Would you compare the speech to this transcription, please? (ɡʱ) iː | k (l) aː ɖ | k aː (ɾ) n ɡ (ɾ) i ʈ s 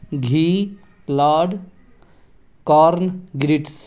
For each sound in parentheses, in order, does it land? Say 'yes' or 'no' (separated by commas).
yes, yes, yes, yes